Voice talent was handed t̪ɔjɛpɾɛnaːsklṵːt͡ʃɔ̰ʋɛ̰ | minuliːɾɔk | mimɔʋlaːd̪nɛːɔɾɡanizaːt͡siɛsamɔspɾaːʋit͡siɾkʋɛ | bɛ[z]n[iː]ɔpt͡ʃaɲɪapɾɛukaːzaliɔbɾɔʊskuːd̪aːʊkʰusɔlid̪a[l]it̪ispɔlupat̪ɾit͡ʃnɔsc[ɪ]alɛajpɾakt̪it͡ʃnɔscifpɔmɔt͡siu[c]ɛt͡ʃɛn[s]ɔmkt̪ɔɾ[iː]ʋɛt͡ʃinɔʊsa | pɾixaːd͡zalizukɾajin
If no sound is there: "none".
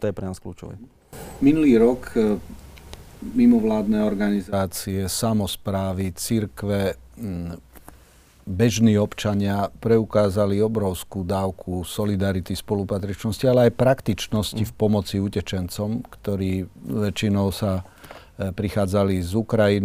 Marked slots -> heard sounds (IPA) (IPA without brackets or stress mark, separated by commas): ʒ, iː, ɾ, i, c, t͡s, iː